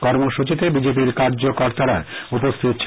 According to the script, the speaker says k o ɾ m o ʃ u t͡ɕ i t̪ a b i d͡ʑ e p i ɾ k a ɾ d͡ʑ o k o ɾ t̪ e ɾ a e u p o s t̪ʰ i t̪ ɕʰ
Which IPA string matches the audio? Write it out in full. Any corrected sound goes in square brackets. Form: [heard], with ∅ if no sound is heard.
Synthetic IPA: k [ɔ] ɾ m o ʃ u t͡ɕ i t̪ [e] b i d͡ʑ e p i ɾ k a ɾ d͡ʑ o k o ɾ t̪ [a] ɾ a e u p o s t̪ʰ i t̪ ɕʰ